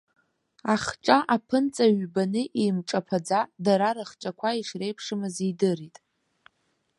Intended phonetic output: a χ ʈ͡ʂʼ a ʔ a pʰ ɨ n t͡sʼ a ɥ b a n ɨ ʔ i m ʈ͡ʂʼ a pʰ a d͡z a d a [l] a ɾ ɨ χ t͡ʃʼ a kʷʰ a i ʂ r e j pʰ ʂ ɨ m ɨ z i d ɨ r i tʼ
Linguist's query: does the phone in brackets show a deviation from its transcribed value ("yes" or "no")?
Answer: yes